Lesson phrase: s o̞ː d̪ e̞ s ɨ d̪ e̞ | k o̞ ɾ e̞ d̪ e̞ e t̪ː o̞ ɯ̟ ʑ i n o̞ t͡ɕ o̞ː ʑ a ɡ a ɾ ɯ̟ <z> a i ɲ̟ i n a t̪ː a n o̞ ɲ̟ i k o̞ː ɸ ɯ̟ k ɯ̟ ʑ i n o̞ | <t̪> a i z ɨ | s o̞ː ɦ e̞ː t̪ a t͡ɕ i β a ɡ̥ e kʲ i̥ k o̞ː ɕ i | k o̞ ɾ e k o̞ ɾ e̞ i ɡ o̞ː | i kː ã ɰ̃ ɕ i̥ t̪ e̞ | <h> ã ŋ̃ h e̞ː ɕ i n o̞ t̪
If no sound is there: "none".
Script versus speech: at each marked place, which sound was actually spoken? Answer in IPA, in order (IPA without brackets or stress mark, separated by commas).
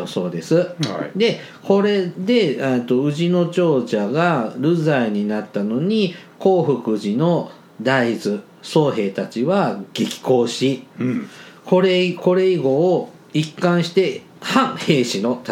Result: z, d̪, h